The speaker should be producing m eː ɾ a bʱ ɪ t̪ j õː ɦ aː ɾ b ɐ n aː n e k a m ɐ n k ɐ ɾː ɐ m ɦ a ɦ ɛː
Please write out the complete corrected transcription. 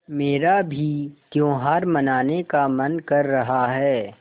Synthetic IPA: m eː ɾ a bʱ i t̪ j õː ɦ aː ɾ m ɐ n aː n e k a m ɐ n k ɐ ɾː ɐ ɦ a ɦ ɛː